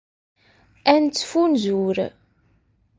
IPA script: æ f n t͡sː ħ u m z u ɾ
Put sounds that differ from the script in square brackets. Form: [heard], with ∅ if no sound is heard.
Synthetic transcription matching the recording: æ [∅] n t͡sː [f] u [n] z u ɾ